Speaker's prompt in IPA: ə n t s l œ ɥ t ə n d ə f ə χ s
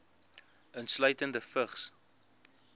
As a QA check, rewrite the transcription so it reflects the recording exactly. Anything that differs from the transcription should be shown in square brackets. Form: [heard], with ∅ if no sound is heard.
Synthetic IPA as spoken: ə n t s l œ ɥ t ə n d ə f ə χ s